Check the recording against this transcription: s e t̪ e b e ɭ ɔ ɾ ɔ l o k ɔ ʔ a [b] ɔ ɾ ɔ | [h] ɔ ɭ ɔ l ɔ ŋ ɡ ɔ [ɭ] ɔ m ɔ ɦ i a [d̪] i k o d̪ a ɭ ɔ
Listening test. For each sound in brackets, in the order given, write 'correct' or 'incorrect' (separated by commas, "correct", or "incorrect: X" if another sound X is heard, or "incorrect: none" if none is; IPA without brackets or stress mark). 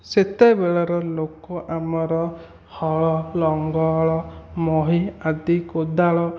incorrect: m, correct, correct, correct